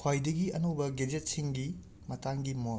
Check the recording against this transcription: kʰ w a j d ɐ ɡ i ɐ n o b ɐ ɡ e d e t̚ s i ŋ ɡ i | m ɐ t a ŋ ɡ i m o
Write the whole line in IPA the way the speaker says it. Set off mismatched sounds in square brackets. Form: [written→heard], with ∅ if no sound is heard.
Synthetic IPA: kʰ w a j d ɐ ɡ i ɐ n o b ɐ ɡ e [d→d͡ʒ] e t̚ s i ŋ ɡ i | m ɐ t a ŋ ɡ i m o